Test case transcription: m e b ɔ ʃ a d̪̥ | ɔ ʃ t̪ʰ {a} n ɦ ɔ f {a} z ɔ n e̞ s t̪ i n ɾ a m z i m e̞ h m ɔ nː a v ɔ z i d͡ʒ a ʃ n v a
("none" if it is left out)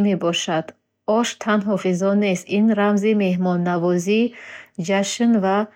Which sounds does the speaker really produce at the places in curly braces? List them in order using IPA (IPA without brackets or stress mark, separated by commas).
a, i